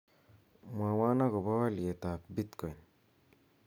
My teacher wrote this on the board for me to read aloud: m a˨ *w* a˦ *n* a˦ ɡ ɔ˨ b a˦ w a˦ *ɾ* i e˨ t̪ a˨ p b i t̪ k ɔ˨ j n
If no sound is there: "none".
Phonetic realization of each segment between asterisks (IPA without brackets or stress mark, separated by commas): w, n, l